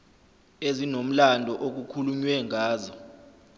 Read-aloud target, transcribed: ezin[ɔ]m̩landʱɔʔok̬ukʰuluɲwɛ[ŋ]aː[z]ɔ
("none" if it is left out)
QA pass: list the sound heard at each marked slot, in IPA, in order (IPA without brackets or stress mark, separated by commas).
o, ŋ, z